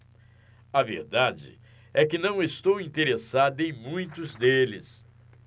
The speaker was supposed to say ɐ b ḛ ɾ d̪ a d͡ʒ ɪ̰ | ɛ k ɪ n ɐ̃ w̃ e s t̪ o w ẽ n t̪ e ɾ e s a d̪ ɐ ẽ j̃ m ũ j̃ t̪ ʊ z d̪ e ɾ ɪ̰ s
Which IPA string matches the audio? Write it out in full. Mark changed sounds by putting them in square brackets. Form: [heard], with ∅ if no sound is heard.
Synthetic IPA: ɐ [v] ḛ ɾ d̪ a d͡ʒ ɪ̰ | ɛ k ɪ n ɐ̃ w̃ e s t̪ o w [ĩ] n t̪ e ɾ e s a d̪ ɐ ẽ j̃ m ũ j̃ t̪ ʊ z d̪ e [l] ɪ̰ s